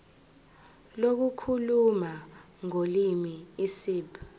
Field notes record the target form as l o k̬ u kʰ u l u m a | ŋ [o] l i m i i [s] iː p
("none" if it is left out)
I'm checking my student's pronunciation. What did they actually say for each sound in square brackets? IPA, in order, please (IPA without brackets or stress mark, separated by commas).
o, s